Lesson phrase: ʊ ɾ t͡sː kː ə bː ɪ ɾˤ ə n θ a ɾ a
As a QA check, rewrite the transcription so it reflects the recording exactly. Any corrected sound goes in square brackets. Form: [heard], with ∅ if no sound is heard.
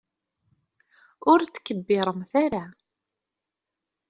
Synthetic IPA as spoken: ʊ ɾ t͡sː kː ə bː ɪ ɾˤ ə [m] θ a ɾ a